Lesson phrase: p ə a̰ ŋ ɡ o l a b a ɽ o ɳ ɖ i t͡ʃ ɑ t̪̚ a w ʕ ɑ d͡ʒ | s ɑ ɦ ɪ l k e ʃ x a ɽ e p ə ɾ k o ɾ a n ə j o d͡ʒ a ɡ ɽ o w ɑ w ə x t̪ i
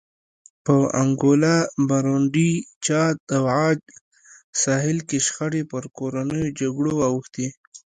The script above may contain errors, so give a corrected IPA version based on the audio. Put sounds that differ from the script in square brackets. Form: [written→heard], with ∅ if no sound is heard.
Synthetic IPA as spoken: p ə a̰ ŋ ɡ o l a b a [ɽ→ɾ] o ɳ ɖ i t͡ʃ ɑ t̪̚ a w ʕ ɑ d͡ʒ | s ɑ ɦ ɪ l k e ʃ x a ɽ e p ə ɾ k o ɾ a n ə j o d͡ʒ a ɡ ɽ o w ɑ w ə x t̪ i